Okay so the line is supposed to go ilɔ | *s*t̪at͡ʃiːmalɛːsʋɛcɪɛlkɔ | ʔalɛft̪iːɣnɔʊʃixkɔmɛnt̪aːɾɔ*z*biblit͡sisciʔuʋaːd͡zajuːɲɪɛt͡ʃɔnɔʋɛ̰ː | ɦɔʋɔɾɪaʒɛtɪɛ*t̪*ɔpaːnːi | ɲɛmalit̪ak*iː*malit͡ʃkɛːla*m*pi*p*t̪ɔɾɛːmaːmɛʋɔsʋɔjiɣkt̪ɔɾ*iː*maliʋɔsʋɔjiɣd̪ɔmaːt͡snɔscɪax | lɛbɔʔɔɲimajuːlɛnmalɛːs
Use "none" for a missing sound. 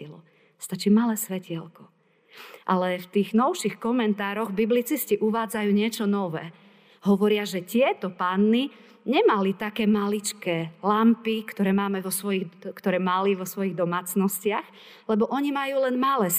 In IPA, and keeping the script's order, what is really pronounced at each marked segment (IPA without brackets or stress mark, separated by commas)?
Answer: s, ɣ, t̪, ɛː, m, k, ɛː